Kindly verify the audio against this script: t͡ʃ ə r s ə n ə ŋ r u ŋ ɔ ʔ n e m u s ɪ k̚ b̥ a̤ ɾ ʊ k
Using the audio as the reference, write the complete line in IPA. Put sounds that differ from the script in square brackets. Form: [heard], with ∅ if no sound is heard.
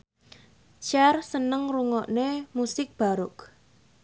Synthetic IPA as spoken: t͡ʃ [a] r s ə n ə ŋ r u ŋ ɔ ʔ n e m u s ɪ k̚ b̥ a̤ ɾ ʊ k